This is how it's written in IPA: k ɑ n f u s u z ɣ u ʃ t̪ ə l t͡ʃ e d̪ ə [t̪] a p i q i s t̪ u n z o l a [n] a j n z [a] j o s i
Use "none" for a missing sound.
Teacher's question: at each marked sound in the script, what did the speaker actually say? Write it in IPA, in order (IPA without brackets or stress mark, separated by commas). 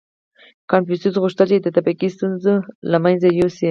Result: t̪, m, a